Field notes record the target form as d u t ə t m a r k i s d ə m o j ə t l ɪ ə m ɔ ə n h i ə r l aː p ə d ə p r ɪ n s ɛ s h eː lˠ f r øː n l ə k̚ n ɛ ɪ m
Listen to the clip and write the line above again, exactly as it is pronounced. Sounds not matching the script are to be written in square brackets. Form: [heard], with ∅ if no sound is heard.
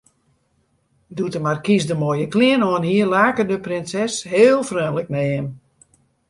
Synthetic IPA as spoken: d u t ə [∅] m a r k i s d ə m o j ə [k] l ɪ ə [n] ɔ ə n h i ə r l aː [k] ə d ə p r ɪ n s ɛ s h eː lˠ f r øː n l ə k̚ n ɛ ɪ m